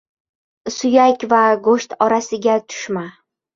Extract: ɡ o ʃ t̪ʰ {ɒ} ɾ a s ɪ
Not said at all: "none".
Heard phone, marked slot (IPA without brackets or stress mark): ɒ